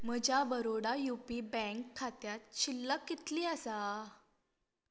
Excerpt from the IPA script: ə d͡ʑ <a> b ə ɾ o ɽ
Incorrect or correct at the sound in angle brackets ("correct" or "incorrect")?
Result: correct